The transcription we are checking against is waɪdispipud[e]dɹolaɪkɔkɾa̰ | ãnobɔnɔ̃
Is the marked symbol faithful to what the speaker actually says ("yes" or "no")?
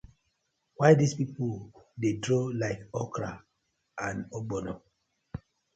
yes